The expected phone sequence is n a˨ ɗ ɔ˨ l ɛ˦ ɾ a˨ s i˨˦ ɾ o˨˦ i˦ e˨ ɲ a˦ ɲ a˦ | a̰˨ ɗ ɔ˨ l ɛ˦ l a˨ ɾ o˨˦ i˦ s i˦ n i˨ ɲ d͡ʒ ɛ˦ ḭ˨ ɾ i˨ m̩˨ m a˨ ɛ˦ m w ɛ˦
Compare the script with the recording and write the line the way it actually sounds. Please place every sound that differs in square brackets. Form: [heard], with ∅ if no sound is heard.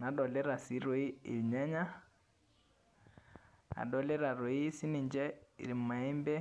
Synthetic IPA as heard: n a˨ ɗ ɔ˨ l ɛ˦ ɾ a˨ s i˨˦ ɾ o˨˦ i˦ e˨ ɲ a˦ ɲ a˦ | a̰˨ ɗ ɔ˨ l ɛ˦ [ɾ] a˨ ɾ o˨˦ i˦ s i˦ n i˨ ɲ d͡ʒ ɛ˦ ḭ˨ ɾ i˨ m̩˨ m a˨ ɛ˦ m [b] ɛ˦

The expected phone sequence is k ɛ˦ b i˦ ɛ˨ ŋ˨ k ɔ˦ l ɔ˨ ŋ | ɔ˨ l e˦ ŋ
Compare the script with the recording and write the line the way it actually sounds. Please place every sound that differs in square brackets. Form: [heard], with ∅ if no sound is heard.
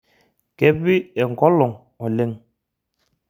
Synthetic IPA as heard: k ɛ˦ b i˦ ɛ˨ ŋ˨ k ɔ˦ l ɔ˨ ŋ | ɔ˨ l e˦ ŋ

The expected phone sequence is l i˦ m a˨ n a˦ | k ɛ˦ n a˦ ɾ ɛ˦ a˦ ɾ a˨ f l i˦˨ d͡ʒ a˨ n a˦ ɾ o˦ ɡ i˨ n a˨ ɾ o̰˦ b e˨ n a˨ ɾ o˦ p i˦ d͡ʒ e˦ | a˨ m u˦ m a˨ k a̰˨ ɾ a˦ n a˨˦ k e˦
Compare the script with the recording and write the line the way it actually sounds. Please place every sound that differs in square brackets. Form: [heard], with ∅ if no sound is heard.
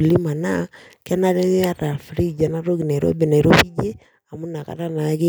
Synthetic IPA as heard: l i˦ m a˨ n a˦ | k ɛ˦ n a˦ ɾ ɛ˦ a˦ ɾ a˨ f [ɾ] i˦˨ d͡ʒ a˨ n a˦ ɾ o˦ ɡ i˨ n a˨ ɾ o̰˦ b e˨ n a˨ ɾ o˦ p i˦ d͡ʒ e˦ | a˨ m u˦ [n] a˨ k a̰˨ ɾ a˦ n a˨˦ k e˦

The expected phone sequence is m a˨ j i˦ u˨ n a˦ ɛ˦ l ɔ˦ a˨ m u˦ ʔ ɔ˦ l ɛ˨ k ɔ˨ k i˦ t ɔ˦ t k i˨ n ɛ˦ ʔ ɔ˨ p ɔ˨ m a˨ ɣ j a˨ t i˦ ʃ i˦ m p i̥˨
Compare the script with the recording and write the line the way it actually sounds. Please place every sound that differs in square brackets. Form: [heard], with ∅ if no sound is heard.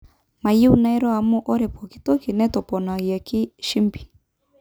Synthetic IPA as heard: m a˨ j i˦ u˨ n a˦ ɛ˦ [ɾ] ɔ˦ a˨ m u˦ ʔ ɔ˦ [ɾ] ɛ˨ [p] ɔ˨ k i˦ t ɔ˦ [∅] k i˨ n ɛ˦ [t] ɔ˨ p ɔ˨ [n] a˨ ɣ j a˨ [k] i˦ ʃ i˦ m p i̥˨

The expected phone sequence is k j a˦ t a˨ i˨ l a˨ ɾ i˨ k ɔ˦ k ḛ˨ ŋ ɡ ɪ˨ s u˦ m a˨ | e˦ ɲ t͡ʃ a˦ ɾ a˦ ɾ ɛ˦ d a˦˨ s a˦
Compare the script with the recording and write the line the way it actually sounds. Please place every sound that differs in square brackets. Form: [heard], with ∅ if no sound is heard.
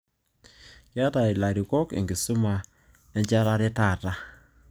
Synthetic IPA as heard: k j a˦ t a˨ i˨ l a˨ ɾ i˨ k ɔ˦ k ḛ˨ ŋ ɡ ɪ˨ s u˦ m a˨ | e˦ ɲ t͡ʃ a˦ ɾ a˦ ɾ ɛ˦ [t] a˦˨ [t] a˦

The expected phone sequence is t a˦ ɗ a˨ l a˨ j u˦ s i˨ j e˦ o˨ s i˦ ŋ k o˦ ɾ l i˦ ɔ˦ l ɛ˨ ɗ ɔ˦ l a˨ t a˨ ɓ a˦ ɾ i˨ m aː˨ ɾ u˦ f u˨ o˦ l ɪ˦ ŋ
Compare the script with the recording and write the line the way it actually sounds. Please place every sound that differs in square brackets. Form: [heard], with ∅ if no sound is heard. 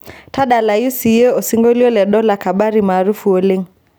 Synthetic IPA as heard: t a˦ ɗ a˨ l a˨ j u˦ s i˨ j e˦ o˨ s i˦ ŋ [ɡ] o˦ [∅] l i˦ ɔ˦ l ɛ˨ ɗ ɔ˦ l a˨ [k] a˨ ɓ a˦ ɾ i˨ m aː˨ ɾ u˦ f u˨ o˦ l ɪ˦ ŋ

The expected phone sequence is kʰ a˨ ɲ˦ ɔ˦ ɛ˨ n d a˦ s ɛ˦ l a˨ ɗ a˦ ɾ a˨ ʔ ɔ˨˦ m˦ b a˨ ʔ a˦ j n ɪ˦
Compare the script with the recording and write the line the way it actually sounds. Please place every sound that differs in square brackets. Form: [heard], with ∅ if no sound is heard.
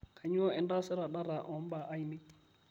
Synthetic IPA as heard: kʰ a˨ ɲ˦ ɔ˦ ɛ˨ n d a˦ s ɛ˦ [ɾ] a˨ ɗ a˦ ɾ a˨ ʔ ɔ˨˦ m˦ b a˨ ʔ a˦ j n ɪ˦

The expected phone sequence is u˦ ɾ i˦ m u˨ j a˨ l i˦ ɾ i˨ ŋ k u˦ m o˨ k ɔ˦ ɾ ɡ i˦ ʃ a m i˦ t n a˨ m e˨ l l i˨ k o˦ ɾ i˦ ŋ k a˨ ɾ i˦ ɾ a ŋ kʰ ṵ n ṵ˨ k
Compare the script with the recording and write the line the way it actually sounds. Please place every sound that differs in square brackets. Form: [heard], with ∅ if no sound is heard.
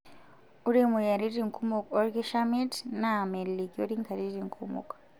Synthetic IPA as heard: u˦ ɾ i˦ m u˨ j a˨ [ɾ] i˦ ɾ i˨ ŋ k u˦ m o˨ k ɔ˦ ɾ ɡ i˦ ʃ a m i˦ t n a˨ m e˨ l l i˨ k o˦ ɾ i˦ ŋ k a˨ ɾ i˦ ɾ [i] ŋ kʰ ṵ [m] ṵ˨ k

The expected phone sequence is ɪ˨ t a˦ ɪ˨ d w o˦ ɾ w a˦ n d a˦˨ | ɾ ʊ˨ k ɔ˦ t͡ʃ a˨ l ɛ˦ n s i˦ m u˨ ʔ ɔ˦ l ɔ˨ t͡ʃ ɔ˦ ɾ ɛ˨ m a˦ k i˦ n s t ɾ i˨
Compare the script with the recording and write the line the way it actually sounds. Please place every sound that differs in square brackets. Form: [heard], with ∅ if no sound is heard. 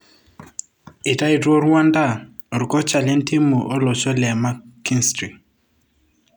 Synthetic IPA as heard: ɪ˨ t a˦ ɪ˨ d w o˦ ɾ w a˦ n d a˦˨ | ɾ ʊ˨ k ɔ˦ t͡ʃ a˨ l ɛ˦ n [t] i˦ m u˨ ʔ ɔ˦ l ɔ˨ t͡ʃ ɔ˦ [l] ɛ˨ m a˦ k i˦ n s t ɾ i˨

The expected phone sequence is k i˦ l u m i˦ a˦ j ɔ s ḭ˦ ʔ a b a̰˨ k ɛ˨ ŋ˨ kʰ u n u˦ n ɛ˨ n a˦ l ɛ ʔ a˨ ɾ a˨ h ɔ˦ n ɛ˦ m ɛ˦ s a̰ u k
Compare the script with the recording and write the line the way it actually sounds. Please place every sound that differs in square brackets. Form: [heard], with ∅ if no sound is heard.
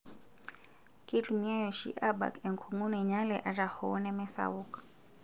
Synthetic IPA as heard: k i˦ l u m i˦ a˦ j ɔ [ʃ] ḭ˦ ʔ a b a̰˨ k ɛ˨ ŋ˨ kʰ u [ŋ] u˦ n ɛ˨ [ɲ] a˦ l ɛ ʔ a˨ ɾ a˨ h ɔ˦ n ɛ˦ m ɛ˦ s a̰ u k

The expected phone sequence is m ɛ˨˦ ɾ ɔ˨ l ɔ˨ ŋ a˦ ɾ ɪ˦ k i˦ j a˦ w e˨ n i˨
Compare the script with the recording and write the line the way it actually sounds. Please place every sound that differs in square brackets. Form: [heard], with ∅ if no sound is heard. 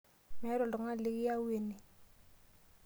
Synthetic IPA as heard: m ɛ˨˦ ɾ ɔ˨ l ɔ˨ ŋ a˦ [l] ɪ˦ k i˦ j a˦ w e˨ n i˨

